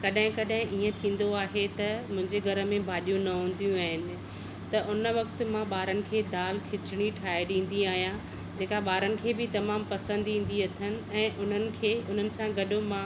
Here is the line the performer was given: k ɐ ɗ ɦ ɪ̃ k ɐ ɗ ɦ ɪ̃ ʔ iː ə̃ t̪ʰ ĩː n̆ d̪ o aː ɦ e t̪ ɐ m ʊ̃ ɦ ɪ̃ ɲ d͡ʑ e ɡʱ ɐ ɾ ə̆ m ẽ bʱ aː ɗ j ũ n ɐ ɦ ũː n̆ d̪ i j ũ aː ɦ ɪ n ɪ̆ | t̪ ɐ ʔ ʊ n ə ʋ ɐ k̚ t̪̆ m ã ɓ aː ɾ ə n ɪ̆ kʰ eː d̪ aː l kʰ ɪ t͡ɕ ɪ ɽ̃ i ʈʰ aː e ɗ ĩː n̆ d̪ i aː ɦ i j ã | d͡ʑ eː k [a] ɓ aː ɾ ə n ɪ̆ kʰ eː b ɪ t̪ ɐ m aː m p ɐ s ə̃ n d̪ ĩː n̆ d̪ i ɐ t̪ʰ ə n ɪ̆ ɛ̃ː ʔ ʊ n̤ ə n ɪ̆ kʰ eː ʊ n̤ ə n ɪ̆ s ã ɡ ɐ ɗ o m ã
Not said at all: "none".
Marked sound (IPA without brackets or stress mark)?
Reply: a